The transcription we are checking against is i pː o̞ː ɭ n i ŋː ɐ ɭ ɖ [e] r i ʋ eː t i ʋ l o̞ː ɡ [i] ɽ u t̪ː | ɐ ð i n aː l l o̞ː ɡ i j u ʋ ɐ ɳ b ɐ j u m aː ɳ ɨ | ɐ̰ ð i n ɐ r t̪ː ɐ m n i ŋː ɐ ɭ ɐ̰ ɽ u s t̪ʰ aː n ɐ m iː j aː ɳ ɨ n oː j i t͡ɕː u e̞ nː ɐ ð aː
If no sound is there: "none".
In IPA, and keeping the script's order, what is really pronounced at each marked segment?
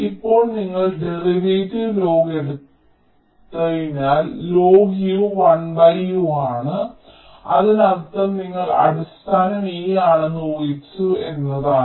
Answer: e, e

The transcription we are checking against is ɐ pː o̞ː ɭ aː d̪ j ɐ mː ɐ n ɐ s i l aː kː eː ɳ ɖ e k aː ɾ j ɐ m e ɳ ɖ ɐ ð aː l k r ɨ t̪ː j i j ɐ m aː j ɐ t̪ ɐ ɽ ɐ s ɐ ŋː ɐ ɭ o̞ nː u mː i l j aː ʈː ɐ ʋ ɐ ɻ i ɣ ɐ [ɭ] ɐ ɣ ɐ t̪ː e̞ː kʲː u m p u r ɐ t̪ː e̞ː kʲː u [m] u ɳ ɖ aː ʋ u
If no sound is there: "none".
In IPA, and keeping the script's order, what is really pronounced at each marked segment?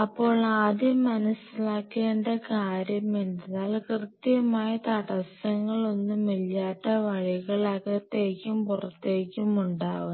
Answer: ɭ, m

